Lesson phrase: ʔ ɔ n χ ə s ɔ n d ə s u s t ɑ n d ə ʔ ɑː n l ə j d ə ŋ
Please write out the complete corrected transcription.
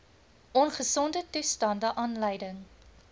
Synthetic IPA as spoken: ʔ ɔ n χ ə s ɔ n d ə t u s t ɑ n d ə ʔ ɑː n l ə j d ə ŋ